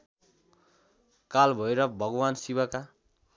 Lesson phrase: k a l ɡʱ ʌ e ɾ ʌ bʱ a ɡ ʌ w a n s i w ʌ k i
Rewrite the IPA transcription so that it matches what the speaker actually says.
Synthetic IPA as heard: k a l bʱ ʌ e ɾ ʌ bʱ ʌ ɡ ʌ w a n s i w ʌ k a